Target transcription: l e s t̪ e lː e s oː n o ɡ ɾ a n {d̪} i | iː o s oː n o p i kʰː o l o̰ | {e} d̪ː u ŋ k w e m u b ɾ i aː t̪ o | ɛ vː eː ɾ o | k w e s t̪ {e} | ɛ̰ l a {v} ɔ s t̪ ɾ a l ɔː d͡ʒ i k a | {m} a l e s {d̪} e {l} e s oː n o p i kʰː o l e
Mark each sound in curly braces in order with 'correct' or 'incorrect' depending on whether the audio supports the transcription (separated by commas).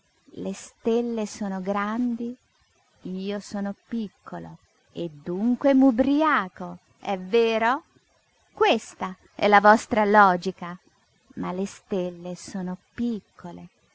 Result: correct, correct, incorrect, correct, correct, incorrect, incorrect